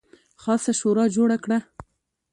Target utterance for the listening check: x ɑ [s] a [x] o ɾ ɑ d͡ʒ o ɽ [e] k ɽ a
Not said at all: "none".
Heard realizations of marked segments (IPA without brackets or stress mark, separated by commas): s, ʃ, a